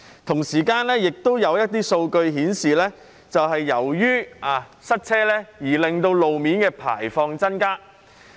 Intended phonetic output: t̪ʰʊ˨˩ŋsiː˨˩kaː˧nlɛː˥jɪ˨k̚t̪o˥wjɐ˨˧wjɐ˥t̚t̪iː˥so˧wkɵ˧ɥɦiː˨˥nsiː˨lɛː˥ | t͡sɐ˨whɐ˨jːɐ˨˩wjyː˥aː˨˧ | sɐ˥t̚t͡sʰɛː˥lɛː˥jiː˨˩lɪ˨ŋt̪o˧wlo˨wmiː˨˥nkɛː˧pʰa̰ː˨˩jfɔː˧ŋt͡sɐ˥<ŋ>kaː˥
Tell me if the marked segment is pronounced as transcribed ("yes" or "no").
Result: no